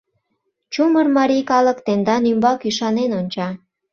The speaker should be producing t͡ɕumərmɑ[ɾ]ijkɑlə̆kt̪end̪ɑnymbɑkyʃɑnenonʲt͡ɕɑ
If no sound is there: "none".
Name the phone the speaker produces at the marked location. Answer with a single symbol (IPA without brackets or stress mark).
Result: ɾ